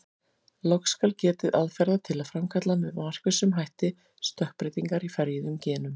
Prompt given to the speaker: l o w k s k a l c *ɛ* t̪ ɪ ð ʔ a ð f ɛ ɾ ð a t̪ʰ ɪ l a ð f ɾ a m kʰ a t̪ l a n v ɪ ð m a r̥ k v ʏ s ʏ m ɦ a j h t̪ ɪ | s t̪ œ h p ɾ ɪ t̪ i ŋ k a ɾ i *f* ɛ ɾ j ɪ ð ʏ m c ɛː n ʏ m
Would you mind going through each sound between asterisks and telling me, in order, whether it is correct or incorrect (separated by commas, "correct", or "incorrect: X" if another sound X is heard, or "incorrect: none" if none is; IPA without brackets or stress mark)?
incorrect: ɛː, correct